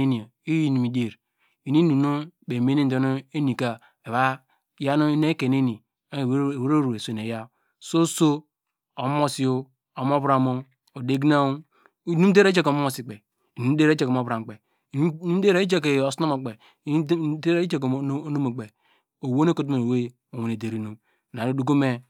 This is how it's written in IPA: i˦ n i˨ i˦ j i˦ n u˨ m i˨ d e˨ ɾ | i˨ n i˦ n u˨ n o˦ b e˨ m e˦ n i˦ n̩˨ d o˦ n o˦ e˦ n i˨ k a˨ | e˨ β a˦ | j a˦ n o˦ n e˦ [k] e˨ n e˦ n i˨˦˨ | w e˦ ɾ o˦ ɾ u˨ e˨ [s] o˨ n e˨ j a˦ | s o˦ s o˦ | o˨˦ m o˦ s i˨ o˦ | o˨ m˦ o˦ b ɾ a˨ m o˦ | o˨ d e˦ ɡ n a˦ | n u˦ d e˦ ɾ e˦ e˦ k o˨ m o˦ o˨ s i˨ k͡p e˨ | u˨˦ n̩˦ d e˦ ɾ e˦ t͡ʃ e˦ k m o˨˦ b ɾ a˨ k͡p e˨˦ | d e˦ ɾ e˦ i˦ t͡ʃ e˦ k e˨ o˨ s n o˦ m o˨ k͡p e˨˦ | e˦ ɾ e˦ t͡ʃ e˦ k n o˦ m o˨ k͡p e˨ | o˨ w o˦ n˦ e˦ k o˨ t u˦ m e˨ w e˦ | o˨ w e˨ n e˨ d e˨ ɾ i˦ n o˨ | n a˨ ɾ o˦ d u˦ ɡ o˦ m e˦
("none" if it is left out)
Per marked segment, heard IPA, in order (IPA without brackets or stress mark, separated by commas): k, s